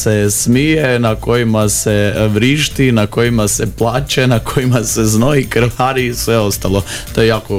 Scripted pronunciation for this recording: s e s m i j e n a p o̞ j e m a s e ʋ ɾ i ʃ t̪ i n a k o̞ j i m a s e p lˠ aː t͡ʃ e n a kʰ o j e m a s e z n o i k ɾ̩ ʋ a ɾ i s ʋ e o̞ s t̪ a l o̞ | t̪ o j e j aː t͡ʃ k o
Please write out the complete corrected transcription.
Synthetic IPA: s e s m i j e n a k o̞ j i m a s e ʋ ɾ i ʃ t̪ i n a k o̞ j i m a s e p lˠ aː t͡ʃ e n a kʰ o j i m a s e z n o i k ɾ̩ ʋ a ɾ i s ʋ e o̞ s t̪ a l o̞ | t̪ o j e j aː k o